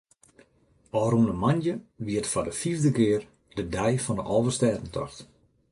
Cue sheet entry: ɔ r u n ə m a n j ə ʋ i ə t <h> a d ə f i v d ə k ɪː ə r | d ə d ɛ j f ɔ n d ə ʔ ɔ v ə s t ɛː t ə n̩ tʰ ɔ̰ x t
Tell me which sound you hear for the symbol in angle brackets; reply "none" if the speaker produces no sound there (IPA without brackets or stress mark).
f